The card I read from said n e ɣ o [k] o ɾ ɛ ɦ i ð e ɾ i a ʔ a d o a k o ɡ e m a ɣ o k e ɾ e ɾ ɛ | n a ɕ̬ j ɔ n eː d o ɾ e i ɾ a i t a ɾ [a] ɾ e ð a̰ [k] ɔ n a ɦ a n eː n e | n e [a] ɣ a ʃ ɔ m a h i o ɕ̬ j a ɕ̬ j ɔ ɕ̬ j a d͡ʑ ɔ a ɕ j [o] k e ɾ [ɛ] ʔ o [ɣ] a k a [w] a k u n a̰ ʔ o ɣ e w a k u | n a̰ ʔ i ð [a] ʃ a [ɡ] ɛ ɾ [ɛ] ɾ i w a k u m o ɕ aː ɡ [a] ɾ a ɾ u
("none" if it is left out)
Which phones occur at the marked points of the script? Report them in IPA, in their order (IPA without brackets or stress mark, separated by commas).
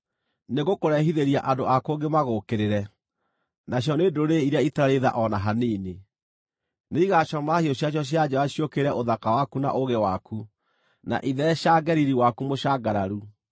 k, a, ʔ, i, o, ɛ, ð, w, ɛ, ɡ, i, a